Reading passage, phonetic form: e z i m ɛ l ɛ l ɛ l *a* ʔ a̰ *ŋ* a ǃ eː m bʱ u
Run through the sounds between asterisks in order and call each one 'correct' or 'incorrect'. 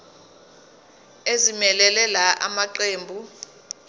correct, incorrect: m

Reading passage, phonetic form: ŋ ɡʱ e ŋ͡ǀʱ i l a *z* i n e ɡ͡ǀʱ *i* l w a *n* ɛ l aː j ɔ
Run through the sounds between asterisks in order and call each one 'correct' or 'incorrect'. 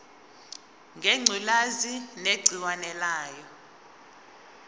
correct, correct, correct

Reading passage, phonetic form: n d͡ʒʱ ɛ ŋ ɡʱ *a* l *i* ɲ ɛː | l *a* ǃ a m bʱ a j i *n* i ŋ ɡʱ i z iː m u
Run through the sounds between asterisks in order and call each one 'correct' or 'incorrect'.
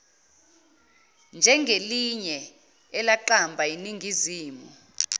incorrect: e, correct, correct, correct

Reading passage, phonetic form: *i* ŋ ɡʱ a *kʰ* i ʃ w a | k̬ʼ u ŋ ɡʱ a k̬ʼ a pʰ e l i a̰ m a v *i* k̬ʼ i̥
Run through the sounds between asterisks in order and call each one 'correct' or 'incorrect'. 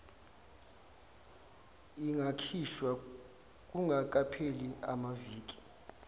correct, correct, incorrect: iː

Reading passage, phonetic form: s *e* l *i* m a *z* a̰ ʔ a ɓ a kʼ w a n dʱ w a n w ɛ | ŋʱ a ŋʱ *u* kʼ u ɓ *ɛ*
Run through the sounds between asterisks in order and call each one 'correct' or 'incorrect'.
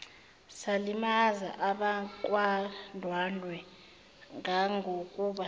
incorrect: a, correct, correct, incorrect: o, incorrect: a

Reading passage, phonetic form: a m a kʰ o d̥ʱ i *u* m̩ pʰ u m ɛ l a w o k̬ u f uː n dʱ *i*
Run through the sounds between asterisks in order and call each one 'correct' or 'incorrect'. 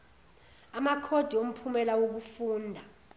incorrect: o, incorrect: a

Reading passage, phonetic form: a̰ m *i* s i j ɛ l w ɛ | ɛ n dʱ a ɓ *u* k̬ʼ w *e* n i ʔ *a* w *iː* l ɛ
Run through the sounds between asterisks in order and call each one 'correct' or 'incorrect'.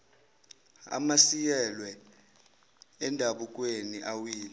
incorrect: a, correct, correct, correct, correct

